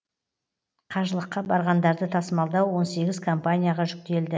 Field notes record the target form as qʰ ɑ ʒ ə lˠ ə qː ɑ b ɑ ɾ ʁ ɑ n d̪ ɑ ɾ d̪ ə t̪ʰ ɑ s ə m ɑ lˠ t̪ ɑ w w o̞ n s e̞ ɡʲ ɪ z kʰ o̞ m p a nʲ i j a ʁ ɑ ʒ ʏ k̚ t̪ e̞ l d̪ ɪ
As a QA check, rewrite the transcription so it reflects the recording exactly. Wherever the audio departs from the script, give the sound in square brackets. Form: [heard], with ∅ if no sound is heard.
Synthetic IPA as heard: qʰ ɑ ʒ ə lˠ ə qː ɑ b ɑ ɾ ʁ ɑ n d̪ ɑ ɾ d̪ ə t̪ʰ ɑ s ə m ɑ lˠ [d̪] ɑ w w o̞ n s e̞ ɡʲ ɪ z kʰ o̞ m p a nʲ i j a ʁ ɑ ʒ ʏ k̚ t̪ e̞ l d̪ ɪ